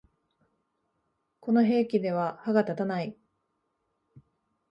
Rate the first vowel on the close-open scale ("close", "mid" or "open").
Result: mid